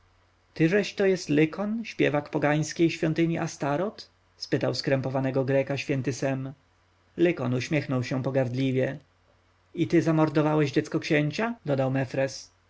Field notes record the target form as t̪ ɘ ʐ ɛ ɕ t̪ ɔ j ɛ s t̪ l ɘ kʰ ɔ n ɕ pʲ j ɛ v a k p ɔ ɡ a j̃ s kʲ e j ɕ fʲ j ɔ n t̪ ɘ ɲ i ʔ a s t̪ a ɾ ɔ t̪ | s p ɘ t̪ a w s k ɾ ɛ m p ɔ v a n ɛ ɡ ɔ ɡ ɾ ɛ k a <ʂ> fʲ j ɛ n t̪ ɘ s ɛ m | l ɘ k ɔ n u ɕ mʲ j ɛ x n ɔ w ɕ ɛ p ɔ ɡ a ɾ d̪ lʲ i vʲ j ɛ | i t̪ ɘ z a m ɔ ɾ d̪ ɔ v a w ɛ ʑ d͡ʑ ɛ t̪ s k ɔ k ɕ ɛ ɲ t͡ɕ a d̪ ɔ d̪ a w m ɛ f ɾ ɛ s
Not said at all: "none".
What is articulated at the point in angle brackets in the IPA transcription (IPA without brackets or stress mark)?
ɕ